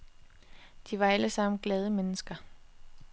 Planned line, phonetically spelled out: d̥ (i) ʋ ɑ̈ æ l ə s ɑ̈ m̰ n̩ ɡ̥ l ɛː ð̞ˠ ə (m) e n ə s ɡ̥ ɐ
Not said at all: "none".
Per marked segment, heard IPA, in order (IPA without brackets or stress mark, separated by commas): i, m